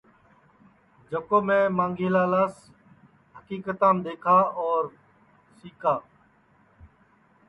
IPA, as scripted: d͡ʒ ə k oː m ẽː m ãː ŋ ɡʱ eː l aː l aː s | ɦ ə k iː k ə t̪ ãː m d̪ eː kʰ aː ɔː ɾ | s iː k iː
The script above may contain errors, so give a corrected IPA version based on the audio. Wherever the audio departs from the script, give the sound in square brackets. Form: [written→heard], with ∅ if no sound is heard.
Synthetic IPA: d͡ʒ ə k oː m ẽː m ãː ŋ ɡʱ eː l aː l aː s | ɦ ə k iː k ə t̪ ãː m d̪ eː kʰ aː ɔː ɾ | s iː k [iː→aː]